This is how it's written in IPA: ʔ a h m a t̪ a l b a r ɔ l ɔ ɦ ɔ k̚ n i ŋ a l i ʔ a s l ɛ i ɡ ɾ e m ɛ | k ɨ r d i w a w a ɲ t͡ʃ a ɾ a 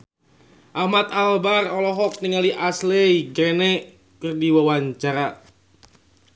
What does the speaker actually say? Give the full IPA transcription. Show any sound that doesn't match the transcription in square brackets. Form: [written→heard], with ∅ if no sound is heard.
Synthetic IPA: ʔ a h m a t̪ a l b a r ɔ l ɔ ɦ ɔ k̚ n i ŋ a l i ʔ a s l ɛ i ɡ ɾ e [m→n] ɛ | k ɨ r d i w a w a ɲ t͡ʃ a ɾ a